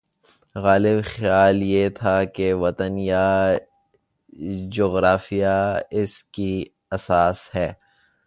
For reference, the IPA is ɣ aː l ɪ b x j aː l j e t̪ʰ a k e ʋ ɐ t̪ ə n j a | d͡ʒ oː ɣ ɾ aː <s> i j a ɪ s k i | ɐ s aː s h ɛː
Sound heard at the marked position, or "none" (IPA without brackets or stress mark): f